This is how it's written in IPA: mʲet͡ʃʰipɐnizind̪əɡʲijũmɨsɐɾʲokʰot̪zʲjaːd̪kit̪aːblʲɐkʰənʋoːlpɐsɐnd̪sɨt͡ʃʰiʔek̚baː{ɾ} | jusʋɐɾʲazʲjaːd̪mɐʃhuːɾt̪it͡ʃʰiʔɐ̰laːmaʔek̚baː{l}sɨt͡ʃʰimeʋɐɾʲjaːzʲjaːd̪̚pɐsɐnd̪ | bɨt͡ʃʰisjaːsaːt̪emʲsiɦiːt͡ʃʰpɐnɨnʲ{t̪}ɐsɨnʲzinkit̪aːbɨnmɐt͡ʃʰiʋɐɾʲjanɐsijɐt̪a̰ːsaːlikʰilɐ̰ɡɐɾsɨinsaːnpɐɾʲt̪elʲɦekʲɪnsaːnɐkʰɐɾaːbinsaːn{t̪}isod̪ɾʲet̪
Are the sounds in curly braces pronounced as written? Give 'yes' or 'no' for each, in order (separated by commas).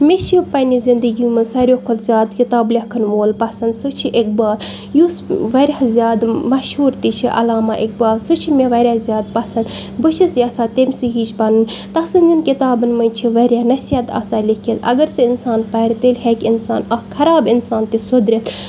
no, yes, yes, yes